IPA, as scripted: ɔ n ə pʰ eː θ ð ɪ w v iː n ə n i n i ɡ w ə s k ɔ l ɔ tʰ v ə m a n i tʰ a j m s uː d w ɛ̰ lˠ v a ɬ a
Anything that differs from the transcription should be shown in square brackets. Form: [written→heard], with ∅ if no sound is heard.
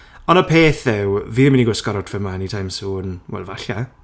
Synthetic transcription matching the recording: ɔ n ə pʰ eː θ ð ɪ w v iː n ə [n→m] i n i ɡ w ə s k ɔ [l→ɾ] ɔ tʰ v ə m a n i tʰ a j m s uː [d→n] w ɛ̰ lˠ v a ɬ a

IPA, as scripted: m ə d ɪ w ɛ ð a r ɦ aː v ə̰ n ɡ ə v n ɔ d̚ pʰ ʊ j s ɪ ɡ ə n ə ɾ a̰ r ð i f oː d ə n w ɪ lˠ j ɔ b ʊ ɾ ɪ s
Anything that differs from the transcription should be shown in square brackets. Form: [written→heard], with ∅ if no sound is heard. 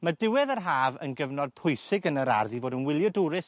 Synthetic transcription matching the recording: m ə d ɪ w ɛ ð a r ɦ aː v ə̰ n ɡ ə v n ɔ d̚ pʰ ʊ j s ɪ ɡ ə n ə ɾ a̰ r ð i [f→v] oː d ə n w ɪ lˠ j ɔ [b→d] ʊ ɾ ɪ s

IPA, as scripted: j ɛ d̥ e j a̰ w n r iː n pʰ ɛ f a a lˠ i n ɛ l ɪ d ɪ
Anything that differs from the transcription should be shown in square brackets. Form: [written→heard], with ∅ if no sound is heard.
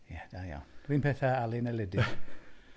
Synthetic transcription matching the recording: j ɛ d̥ [e→a] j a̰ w n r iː n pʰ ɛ [f→θ] a a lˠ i n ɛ l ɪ d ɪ

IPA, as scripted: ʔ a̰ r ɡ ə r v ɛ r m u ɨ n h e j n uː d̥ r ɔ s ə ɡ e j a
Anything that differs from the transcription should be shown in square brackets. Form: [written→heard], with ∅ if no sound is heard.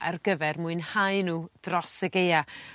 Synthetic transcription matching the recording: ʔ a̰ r ɡ ə [r→∅] v ɛ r m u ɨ n h [e→a] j n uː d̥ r ɔ s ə ɡ e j a

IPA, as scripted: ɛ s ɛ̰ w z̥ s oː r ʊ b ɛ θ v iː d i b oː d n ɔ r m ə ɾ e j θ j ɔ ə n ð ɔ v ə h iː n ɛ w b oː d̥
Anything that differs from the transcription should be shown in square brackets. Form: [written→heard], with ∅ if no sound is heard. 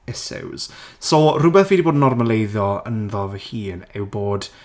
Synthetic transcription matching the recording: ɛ s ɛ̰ w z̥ s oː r ʊ b ɛ θ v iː d i b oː d n ɔ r m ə [ɾ→l] e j [θ→ð] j ɔ ə n ð ɔ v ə h iː n ɛ w b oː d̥

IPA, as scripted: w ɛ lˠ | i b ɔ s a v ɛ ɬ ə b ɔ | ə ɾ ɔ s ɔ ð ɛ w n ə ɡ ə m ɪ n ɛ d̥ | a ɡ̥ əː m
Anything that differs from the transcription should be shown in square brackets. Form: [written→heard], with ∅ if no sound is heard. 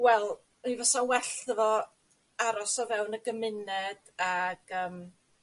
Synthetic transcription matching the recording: w ɛ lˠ | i [b→v] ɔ s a [v→w] ɛ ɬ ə [b→v] ɔ | [ə→a] ɾ ɔ s ɔ [ð→v] ɛ w n ə ɡ ə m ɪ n ɛ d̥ | a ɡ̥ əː m

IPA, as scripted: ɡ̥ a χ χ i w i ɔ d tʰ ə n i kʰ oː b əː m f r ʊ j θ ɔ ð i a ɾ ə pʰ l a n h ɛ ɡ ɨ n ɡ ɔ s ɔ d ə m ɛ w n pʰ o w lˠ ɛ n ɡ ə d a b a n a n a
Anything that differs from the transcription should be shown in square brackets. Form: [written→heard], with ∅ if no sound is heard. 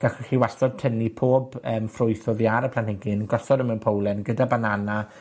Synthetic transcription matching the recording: ɡ̥ a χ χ i w [i→a] ɔ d tʰ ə n i [kʰ→pʰ] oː b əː m f r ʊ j θ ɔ ð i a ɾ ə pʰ l a n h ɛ ɡ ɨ n ɡ ɔ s ɔ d ə m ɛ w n pʰ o w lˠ ɛ n ɡ ə d a b a n a n a

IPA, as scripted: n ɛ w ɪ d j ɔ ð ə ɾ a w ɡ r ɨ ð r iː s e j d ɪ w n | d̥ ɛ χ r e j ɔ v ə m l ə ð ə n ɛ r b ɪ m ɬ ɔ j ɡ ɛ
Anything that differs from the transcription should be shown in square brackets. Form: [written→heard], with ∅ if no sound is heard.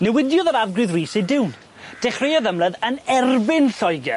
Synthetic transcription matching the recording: n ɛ w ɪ d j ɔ ð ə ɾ a [w→v] ɡ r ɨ ð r iː s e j d ɪ w n | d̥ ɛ χ r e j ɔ [v→ð] ə m l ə ð ə n ɛ r b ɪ [m→n] ɬ ɔ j ɡ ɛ

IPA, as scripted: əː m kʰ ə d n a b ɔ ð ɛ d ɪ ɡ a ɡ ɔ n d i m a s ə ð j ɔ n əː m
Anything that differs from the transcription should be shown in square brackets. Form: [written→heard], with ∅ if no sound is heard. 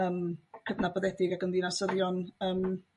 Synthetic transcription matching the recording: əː m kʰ ə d n a b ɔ ð ɛ d ɪ ɡ a ɡ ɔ n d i [m→n] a s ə ð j ɔ n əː m

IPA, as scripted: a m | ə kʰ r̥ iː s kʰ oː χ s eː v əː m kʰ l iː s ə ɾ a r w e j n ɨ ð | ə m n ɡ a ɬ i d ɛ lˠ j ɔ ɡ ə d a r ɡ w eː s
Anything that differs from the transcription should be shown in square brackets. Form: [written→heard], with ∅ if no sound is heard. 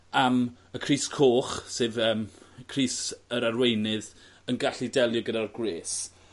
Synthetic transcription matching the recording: a m | ə kʰ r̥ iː s kʰ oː χ s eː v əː m kʰ [l→r] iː s ə ɾ a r w e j n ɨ ð | ə [m→∅] n ɡ a ɬ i d ɛ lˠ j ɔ ɡ ə d a r ɡ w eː s

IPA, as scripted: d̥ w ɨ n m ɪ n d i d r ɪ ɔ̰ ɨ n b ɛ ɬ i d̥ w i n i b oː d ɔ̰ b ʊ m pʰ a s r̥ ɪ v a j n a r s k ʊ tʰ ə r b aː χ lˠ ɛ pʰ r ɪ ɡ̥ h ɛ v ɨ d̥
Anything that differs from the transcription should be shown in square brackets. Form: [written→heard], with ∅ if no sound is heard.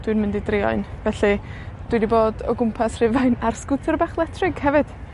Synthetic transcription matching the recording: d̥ w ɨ n m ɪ n d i d r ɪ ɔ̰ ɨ n [b→v] ɛ ɬ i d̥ w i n i b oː d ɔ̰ [b→ɡ] ʊ m pʰ a s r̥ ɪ v a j n a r s k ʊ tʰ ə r b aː χ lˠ ɛ [pʰ→tʰ] r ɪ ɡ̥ h ɛ v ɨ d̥

